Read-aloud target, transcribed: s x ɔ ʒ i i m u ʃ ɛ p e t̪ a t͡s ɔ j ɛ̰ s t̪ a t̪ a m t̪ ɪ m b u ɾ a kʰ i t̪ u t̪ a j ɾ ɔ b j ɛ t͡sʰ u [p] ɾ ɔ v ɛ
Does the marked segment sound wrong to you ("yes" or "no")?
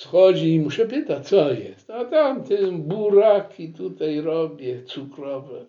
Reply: yes